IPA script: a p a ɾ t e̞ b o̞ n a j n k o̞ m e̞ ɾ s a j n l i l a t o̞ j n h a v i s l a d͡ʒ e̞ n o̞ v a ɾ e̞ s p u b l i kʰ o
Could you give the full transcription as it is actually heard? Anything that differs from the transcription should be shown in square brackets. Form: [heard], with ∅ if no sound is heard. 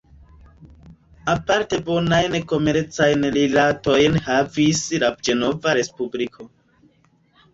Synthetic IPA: a p a ɾ t e̞ b o̞ n a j n k o̞ m e̞ ɾ [t͡s] a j n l i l a t o̞ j n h a v i s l a d͡ʒ e̞ n o̞ v a ɾ e̞ s p u b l i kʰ o